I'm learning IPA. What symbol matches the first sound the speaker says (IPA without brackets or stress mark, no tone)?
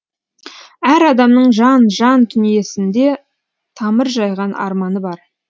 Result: æ